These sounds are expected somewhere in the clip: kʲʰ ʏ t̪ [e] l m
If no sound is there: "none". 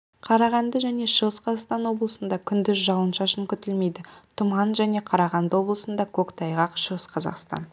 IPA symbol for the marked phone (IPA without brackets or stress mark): e